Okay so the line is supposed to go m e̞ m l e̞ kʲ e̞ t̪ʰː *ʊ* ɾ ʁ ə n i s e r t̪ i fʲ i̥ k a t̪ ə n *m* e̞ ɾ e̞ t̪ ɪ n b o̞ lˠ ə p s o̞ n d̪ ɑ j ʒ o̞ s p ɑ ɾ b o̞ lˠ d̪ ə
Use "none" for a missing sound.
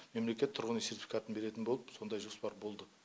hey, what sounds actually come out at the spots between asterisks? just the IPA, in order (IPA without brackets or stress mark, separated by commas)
ʊ, b